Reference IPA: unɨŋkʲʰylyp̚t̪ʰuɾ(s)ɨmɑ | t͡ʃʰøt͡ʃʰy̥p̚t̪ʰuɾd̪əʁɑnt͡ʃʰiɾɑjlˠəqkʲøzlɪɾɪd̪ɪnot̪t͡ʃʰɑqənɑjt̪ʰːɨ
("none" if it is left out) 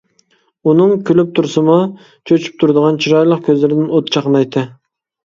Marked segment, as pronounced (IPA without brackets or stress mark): s